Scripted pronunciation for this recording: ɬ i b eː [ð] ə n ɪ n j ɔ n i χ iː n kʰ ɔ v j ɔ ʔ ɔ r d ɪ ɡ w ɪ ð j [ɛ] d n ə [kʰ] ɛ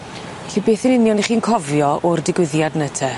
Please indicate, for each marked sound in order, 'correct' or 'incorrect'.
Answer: incorrect: θ, incorrect: a, incorrect: tʰ

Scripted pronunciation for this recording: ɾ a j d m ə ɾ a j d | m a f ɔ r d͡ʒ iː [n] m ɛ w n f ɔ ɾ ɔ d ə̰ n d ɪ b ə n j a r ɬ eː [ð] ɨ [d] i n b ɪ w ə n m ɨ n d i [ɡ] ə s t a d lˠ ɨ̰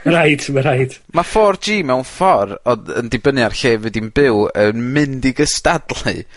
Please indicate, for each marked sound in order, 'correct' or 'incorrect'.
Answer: incorrect: none, incorrect: v, correct, correct

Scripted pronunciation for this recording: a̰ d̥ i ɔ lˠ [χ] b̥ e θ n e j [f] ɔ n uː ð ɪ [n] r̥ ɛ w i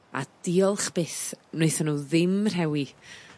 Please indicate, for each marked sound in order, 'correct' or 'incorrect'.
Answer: correct, incorrect: θ, incorrect: m

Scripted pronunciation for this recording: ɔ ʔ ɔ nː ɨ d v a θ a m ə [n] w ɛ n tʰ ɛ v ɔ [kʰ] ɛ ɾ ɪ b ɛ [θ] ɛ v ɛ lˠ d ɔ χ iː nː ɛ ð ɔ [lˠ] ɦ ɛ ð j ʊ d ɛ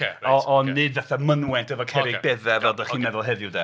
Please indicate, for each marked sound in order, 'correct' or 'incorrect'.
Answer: correct, correct, incorrect: ð, correct

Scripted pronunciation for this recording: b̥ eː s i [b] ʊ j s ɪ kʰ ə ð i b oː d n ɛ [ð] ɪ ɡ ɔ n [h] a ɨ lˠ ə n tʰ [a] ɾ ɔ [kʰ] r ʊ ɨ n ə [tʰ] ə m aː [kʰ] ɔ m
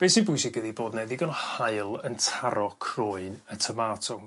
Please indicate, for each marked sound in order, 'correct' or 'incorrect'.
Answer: correct, correct, correct, correct, correct, correct, incorrect: tʰ

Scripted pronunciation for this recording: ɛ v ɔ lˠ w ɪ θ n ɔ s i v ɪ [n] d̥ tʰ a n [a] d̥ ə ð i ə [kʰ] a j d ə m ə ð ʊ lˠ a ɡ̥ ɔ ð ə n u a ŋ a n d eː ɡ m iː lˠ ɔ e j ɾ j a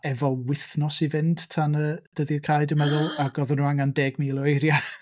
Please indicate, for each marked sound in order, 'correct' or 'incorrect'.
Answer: correct, incorrect: ə, correct

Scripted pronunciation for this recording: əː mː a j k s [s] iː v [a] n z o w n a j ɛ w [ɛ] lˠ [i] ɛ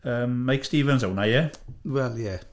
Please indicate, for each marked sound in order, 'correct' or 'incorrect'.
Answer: incorrect: t, incorrect: ə, correct, incorrect: j

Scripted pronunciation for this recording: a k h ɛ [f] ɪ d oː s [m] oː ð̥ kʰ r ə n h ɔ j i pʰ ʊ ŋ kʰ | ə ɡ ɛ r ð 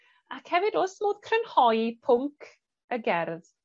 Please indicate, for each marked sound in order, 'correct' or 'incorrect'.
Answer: incorrect: v, correct

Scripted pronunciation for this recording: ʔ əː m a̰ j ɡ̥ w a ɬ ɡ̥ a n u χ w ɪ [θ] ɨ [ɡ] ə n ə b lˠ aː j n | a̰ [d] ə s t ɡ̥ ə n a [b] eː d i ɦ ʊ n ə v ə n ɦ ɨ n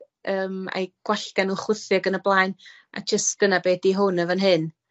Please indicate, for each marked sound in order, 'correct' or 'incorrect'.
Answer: correct, correct, incorrect: d͡ʒ, correct

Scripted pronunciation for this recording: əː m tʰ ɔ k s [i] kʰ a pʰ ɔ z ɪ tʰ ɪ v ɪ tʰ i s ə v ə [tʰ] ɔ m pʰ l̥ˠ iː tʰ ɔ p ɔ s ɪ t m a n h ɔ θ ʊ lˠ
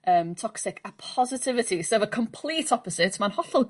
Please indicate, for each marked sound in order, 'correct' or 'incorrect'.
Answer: incorrect: ɪ, incorrect: kʰ

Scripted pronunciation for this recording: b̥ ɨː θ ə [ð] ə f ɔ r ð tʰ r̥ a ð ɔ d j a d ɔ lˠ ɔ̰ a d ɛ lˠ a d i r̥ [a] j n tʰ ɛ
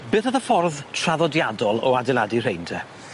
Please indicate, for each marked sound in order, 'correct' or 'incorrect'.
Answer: correct, incorrect: e

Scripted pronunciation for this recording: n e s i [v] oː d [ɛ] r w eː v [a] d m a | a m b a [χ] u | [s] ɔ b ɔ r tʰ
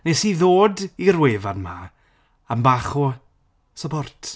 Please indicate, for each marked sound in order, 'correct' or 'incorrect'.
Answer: incorrect: ð, incorrect: i, correct, correct, correct

